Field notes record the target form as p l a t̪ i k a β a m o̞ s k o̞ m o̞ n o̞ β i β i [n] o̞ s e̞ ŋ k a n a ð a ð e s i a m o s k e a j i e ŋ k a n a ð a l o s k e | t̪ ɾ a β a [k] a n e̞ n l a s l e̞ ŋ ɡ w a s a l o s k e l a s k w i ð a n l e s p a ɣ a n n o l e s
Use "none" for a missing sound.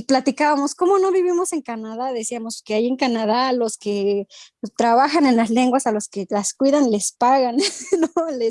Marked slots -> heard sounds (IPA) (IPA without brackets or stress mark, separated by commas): m, x